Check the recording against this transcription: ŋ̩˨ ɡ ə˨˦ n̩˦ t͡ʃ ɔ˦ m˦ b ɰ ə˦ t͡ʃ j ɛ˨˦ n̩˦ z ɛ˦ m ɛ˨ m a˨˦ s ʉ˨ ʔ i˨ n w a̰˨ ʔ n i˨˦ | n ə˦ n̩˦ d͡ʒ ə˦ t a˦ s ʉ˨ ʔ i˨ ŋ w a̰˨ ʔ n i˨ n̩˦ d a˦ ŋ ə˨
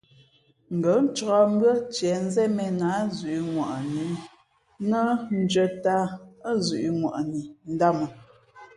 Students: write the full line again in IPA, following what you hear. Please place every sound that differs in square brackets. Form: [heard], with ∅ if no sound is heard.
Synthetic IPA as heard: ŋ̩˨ ɡ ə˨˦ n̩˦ t͡ʃ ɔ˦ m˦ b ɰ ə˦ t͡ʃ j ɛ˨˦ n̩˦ z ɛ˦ m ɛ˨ [n] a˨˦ [z] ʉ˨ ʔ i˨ [ŋ] w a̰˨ ʔ n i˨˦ | n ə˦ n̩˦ d͡ʒ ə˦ t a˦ [z] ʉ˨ ʔ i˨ ŋ w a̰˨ ʔ n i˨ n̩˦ d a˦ [m] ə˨